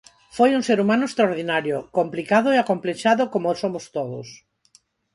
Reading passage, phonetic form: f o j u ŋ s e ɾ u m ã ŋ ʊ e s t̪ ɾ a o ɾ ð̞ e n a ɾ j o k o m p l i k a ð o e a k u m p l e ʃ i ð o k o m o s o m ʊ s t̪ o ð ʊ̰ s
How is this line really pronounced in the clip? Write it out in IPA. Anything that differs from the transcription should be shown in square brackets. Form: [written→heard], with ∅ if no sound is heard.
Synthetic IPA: f o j u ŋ s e ɾ u m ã [ŋ→n] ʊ e s t̪ ɾ a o ɾ ð̞ [e→i] n a ɾ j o k o m p l i k a ð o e a k [u→o] m p l e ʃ [i→a] ð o k o m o s o m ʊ s t̪ o ð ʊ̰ s